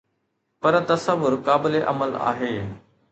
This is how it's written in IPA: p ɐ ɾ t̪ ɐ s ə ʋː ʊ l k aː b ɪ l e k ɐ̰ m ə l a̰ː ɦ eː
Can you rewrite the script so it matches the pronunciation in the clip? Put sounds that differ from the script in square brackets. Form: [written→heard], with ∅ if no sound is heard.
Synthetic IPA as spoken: p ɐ ɾ t̪ ɐ s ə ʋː ʊ [l→ɾ] k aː b ɪ l e [k→ʔ] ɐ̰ m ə l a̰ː ɦ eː